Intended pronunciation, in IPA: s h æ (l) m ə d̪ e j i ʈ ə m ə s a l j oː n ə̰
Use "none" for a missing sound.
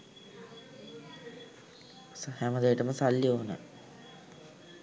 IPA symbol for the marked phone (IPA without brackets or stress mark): none